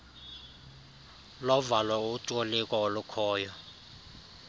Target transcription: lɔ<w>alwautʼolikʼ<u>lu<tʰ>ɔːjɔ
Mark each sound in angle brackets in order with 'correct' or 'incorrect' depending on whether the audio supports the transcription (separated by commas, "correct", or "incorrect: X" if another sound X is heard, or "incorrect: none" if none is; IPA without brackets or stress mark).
incorrect: v, incorrect: ɔ, incorrect: kʰ